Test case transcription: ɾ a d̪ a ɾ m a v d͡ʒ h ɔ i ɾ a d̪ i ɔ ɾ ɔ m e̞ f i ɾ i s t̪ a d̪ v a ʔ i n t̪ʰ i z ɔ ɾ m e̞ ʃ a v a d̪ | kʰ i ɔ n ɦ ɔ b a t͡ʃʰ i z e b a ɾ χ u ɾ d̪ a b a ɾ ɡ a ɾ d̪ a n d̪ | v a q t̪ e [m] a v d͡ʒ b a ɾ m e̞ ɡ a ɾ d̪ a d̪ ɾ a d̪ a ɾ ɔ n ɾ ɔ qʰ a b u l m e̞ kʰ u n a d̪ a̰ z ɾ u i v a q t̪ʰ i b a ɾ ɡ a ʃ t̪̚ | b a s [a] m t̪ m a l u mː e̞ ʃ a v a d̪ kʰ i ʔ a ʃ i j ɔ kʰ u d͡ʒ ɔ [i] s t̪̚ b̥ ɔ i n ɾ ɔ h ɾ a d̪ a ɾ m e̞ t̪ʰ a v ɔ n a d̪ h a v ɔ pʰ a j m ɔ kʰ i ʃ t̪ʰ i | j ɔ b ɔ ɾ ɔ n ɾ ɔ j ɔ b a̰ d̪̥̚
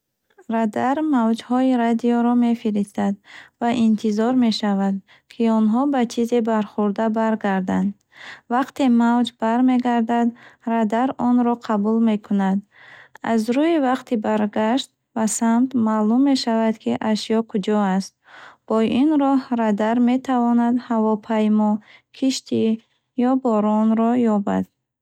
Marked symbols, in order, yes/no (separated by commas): yes, yes, no